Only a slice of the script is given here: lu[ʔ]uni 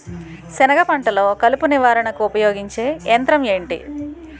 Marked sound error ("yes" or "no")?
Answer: yes